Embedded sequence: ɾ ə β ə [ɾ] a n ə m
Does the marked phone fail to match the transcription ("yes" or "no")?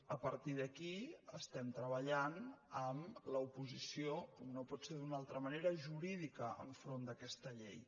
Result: yes